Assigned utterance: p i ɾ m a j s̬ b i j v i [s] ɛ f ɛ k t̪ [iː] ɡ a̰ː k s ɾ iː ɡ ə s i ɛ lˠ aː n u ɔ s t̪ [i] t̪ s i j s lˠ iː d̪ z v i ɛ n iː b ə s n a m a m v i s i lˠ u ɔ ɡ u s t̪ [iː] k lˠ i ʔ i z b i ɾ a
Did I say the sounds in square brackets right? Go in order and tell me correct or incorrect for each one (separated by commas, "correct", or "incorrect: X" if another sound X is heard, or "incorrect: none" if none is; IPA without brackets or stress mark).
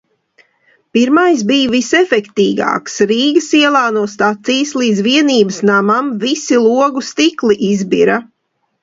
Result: correct, correct, incorrect: a, incorrect: i